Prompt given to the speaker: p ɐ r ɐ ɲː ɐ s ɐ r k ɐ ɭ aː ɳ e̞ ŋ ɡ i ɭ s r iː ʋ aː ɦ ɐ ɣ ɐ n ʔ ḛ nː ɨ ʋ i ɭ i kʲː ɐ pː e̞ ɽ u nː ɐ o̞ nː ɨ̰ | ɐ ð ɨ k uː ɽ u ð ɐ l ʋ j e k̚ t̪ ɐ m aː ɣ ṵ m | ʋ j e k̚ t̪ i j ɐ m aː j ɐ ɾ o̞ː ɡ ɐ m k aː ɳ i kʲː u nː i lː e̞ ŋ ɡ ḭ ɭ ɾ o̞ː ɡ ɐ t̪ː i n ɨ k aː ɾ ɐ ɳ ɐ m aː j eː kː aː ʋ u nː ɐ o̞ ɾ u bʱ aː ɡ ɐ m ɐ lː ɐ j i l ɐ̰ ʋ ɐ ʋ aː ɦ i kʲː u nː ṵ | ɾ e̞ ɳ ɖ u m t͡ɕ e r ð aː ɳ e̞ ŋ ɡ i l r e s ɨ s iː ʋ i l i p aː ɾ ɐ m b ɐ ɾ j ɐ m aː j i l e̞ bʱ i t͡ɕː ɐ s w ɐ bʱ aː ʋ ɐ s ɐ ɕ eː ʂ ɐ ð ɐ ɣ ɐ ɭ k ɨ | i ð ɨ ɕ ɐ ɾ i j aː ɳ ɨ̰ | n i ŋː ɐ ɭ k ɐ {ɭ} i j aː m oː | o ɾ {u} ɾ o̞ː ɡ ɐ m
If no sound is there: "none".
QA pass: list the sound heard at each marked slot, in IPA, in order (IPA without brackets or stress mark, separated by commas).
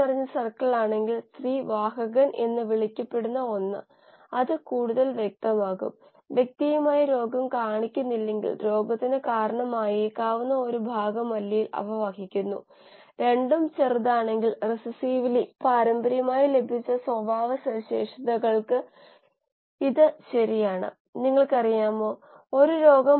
r, u